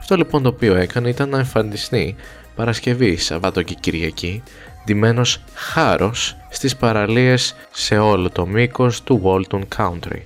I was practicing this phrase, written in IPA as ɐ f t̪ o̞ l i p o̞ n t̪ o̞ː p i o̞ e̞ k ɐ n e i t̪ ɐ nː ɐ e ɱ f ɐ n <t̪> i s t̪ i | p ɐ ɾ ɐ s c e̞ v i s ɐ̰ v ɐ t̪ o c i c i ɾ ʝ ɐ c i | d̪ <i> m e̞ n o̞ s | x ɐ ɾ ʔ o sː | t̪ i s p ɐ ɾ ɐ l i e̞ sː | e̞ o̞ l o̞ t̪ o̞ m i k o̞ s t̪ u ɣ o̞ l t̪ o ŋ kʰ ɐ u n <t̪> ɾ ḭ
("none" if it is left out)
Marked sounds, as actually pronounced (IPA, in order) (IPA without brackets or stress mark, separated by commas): d̪, i, t̪